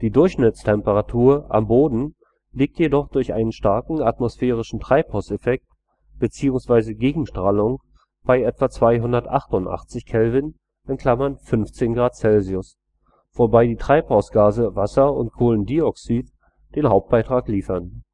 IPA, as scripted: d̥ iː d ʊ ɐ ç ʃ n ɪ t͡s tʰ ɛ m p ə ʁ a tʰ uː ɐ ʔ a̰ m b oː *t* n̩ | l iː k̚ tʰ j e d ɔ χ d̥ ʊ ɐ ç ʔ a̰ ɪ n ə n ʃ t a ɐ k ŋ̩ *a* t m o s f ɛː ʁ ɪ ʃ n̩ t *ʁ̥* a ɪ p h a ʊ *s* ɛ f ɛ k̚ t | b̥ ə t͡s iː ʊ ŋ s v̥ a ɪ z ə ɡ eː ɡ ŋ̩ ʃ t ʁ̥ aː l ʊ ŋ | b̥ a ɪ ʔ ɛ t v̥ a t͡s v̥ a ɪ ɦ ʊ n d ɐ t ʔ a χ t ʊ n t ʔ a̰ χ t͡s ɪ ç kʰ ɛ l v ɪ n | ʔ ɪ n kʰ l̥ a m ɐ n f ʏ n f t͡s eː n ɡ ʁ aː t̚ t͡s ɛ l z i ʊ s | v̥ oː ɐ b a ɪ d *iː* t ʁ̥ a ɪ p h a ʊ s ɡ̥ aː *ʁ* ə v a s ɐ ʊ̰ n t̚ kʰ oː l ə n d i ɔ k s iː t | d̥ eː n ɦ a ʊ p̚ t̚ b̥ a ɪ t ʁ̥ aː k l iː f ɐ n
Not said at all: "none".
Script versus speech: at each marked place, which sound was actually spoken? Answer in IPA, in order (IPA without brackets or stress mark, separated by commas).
d, a, ʁ̥, s, iː, z